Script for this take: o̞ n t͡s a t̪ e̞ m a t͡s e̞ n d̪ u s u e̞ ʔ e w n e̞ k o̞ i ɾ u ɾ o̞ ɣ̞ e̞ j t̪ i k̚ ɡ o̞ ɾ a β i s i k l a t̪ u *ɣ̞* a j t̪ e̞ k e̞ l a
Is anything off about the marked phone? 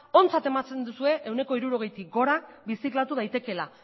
yes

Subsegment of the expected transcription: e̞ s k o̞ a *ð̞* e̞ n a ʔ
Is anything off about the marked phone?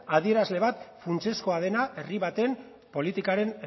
no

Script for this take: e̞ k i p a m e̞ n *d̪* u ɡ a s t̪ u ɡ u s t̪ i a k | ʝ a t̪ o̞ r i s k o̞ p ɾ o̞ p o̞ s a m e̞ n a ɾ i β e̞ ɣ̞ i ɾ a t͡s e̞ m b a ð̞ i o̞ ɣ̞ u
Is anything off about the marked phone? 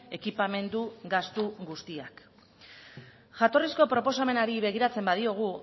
no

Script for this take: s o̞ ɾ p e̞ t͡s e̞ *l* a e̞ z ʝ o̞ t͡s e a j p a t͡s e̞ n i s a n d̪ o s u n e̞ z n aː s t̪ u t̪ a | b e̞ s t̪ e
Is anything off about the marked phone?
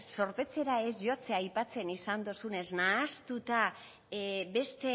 yes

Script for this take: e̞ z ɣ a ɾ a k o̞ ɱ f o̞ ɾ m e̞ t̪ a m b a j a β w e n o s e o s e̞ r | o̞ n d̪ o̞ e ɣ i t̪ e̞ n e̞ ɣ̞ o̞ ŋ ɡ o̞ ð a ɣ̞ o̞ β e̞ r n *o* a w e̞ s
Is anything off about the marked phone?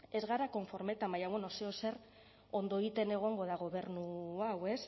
yes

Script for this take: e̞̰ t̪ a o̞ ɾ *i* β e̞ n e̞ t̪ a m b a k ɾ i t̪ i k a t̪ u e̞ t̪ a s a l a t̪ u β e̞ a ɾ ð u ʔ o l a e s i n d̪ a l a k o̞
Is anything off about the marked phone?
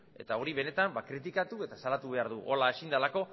no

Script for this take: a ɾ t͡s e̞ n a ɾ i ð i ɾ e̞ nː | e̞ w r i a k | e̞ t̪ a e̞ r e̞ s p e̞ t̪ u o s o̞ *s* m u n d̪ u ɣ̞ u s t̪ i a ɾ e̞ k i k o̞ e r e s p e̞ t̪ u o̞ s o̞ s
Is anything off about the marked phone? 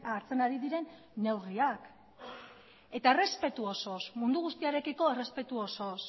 no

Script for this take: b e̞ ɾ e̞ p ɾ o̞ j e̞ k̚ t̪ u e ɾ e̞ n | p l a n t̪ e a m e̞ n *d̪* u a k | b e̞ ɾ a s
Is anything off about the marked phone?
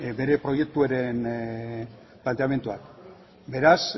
yes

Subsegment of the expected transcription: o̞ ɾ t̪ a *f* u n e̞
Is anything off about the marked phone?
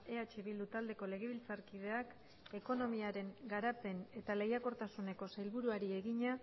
yes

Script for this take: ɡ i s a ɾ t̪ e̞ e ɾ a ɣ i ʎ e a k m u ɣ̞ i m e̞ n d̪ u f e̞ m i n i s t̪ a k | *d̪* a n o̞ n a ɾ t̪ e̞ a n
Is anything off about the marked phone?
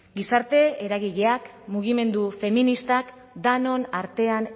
no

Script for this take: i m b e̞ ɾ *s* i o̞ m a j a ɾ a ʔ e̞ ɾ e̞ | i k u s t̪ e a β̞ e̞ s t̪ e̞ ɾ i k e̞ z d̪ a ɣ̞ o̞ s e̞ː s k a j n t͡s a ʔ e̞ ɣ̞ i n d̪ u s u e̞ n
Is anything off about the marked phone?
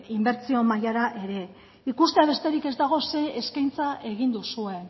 yes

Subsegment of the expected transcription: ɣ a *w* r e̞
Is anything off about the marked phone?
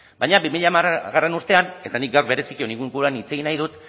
yes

